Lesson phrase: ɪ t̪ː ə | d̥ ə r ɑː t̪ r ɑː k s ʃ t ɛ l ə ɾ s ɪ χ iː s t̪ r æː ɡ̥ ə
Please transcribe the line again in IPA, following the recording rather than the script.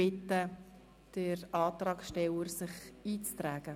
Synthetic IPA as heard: ɪ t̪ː ə | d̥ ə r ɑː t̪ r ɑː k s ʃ t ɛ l ə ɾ s ɪ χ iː t͡s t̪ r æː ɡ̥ ə